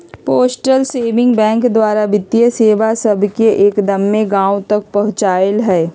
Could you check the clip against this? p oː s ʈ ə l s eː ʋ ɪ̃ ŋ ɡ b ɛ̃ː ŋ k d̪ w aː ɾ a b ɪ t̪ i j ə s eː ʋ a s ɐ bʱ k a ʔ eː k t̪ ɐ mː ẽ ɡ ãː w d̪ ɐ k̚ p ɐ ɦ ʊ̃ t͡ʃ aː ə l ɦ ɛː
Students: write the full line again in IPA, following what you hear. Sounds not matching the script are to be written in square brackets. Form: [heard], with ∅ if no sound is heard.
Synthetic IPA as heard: p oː s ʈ ə l s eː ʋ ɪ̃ ŋ ɡ b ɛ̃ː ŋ k d̪ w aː ɾ a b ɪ t̪ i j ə s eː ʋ a s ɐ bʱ k [e] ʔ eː k [d̪] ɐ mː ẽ ɡ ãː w [t̪] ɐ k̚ p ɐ ɦ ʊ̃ t͡ʃ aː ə l ɦ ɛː

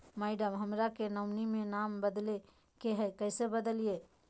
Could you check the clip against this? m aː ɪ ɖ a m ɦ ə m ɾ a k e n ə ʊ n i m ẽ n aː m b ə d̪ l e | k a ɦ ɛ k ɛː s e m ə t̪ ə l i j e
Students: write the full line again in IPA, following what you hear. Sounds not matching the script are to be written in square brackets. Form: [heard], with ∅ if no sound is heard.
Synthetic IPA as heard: m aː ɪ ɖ [ə] m ɦ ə m ɾ a k e n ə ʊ n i m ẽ n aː m b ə d̪ l e | k [e] ɦ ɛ k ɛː s e [b] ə [d̪] ə l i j e

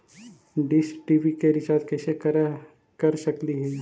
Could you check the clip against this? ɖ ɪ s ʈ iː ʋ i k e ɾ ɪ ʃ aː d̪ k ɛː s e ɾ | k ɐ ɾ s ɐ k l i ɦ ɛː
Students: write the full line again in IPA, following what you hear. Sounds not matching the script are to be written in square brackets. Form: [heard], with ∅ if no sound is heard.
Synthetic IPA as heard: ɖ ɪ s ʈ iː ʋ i k e ɾ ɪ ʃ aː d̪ k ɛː s e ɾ | k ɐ ɾ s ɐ k l i ɦ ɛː

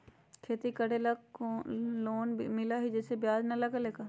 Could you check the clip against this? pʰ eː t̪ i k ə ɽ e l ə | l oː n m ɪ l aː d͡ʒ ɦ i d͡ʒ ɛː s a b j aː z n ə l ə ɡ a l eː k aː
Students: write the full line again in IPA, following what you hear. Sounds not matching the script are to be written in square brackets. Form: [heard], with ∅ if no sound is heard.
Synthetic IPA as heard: [kʰ] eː t̪ i k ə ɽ e l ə | l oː n m ɪ l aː [∅] ɦ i d͡ʒ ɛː s [e] b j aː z n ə l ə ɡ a l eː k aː

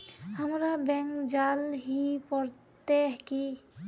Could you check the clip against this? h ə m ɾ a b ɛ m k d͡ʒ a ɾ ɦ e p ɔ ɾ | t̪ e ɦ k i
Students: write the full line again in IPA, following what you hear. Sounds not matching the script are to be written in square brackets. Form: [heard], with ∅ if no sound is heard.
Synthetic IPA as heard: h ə m ɾ a b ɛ [ŋ] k d͡ʒ a [l] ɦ [i] p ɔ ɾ | t̪ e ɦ k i

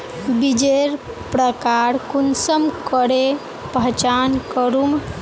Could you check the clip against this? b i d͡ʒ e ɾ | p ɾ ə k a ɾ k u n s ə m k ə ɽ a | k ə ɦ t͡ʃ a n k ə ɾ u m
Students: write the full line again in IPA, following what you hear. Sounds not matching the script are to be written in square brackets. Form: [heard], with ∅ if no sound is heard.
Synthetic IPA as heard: b i d͡ʒ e ɾ | p ɾ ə k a ɾ k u n s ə m k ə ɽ [e] | [p] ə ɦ t͡ʃ a n k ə ɾ u m

